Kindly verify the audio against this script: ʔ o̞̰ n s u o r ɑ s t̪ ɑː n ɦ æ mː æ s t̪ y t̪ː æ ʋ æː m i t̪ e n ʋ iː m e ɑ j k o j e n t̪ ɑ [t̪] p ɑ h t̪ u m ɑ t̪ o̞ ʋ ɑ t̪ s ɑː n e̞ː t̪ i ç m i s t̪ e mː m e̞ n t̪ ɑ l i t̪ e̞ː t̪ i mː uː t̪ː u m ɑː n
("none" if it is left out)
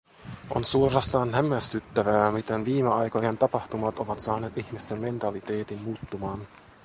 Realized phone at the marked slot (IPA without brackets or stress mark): none